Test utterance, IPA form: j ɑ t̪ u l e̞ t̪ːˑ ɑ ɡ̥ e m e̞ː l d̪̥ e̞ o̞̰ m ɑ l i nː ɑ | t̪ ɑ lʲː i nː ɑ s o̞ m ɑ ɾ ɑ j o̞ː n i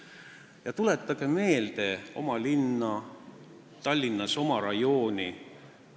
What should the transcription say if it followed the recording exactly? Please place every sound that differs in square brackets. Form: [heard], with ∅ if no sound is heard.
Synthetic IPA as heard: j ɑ t̪ u l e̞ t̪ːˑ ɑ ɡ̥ e m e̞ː l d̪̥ e̞ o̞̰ m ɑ l i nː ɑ | t̪ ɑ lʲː i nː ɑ s o̞ m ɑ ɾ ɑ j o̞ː n i